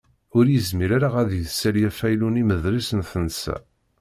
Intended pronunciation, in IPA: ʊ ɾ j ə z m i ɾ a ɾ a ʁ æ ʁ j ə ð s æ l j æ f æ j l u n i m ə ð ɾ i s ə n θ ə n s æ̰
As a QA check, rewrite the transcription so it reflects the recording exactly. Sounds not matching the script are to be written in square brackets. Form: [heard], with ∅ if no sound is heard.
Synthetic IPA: ʊ ɾ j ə z m i ɾ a ɾ a ʁ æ [ð] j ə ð s æ l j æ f æ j l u n i m ə ð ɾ i s ə n θ ə n s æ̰